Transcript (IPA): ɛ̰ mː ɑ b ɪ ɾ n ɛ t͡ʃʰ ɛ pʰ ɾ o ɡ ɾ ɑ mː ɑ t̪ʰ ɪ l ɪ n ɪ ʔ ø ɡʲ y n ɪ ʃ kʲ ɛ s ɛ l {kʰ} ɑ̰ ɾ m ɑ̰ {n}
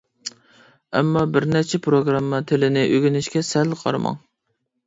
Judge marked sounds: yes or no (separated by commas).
no, no